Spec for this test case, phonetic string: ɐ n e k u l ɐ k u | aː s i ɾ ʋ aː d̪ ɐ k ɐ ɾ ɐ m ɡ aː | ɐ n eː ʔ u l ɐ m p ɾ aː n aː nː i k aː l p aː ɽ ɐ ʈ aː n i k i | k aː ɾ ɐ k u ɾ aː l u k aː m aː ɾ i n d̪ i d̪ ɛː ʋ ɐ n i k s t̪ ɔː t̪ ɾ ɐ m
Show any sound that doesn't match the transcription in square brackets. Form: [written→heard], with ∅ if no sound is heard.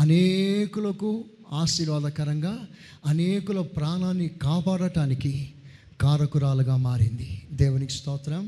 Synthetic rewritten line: ɐ n e k u l ɐ k u | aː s i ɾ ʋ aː d̪ ɐ k ɐ ɾ ɐ [m→ŋ] ɡ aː | ɐ n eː [ʔ→k] u l ɐ [m→∅] p ɾ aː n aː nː i k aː [l→∅] p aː ɽ ɐ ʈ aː n i k i | k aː ɾ ɐ k u ɾ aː l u [k→ɡ] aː m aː ɾ i n d̪ i d̪ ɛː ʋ ɐ n i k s t̪ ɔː t̪ ɾ ɐ m